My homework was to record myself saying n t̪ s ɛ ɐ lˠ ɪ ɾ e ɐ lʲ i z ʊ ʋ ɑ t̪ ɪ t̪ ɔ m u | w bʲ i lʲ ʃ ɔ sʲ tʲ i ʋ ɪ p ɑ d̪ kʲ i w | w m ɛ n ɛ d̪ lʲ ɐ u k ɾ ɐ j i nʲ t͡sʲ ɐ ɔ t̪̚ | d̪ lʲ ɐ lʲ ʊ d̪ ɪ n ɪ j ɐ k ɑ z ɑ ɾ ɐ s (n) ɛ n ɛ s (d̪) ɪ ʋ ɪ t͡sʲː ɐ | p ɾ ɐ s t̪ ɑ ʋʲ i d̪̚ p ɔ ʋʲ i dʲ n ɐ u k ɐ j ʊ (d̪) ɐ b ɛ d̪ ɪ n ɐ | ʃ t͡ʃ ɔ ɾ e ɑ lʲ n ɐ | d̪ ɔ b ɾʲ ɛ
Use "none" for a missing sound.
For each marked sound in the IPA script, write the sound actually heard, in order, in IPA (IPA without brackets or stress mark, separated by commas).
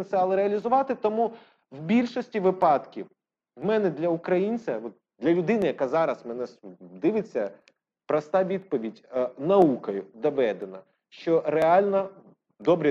m, d̪, d̪